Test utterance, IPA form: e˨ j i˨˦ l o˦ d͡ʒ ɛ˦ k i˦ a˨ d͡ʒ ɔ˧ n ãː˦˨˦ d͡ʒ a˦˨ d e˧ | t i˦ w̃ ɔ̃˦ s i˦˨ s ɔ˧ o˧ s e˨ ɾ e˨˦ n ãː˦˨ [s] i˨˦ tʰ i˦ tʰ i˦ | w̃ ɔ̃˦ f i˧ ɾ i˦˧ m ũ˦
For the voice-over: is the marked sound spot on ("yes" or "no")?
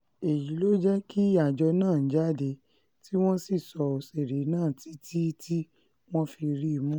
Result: no